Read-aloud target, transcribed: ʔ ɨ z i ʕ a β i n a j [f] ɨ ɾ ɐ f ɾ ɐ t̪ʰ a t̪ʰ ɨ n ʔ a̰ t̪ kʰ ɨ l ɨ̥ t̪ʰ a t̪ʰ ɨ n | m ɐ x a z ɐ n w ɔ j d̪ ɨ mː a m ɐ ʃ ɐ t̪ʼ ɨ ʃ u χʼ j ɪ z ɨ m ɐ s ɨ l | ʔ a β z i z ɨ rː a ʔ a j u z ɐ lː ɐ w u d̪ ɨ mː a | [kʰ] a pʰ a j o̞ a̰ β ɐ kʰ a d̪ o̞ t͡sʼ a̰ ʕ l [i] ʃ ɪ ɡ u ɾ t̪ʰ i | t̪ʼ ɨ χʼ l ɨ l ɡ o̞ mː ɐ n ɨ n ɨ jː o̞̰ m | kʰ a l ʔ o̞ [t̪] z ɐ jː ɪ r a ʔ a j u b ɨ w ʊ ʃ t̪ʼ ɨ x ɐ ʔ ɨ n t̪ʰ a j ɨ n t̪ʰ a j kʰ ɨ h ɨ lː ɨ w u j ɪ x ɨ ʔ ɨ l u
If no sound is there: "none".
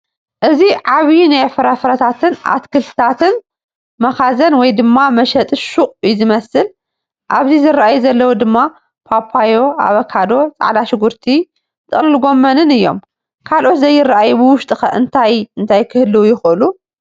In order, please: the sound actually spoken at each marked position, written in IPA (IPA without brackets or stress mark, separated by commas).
f, pʰ, a, t̪